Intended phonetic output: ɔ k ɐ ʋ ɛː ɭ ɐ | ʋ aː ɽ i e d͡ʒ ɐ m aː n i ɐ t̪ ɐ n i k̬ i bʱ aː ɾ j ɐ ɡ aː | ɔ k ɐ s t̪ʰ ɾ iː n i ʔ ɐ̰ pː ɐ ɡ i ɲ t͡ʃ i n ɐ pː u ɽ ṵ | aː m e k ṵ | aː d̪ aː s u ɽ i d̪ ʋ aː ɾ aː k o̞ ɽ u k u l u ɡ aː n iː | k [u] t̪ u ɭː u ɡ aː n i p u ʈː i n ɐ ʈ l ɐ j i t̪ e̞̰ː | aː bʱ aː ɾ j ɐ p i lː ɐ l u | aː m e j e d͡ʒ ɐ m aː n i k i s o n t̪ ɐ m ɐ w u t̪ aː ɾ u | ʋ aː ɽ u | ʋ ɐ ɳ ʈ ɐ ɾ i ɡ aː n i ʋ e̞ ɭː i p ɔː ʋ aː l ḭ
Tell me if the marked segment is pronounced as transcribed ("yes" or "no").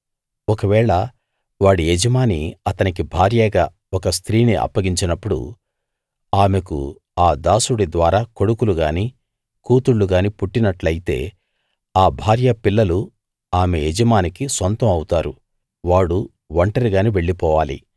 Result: no